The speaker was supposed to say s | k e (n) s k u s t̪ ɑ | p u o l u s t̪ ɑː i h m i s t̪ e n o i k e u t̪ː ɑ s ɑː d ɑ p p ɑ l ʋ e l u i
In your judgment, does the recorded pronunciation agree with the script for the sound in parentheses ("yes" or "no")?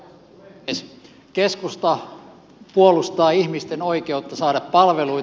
no